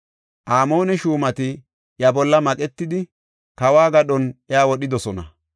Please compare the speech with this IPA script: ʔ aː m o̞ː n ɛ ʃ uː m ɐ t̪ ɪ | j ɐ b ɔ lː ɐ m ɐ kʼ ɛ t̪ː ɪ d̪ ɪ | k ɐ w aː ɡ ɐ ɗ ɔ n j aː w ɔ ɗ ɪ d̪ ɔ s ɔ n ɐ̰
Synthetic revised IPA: ʔ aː m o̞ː n ɛ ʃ uː m ɐ t̪ ɪ | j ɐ b ɔ lː ɐ m ɐ kʼ ɛ t̪ː ɪ d̪ ɪ | k ɐ w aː ɡ ɐ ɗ ɔ n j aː w ɔ ɗ ɪ d̪ ɔ s ɔ n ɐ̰